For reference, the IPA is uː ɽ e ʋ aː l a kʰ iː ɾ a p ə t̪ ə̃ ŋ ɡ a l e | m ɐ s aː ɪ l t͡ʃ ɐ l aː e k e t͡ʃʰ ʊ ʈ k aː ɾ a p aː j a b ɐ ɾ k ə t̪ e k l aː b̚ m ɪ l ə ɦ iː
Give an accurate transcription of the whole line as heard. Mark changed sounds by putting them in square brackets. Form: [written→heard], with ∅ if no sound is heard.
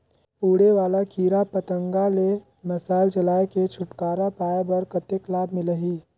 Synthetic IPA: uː ɽ e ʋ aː l a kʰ iː ɾ a p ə t̪ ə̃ ŋ ɡ a l e | m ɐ s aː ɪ l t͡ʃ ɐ l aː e k e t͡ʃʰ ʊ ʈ k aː ɾ a p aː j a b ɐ ɾ k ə t̪ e k l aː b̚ m ɪ l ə ɦ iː